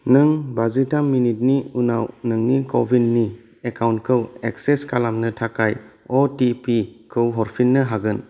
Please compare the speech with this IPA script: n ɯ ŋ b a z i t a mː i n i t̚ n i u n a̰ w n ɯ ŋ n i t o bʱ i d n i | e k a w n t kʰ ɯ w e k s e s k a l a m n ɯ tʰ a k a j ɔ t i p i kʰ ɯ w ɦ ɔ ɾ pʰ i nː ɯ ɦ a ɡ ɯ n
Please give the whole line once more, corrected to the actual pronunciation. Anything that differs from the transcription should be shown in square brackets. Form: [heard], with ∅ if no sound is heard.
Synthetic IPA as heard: n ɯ ŋ b a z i t a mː i n i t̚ n i u n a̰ w n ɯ ŋ n i [k] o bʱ i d n i | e k a w n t kʰ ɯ w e k s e s k a l a m n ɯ tʰ a k a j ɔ t i p i kʰ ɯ w ɦ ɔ ɾ pʰ i nː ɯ ɦ a ɡ ɯ n